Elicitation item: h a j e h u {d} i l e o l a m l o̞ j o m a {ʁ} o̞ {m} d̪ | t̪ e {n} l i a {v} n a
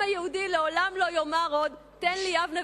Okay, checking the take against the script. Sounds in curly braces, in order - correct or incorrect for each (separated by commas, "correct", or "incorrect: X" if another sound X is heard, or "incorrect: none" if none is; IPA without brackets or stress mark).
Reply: correct, correct, incorrect: none, correct, correct